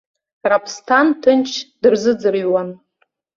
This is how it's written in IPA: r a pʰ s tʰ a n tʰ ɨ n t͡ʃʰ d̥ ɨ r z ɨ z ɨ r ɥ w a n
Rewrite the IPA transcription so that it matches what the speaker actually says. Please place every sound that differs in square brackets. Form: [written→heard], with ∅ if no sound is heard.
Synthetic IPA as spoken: r a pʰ s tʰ a n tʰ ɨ n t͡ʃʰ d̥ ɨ r z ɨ [z→d͡z] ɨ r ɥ w a n